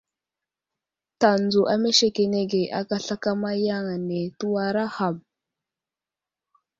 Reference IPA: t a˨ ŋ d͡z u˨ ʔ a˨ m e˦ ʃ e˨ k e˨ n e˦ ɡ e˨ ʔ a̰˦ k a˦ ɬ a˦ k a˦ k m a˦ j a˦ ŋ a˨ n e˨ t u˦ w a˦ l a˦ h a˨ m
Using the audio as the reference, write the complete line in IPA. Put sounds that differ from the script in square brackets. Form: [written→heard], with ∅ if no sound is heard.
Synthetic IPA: t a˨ [ŋ→n] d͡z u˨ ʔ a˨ m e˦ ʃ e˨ k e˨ n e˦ ɡ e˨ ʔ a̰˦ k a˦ ɬ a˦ k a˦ [k→∅] m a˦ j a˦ ŋ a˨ n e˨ t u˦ w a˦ [l→ɾ] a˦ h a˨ m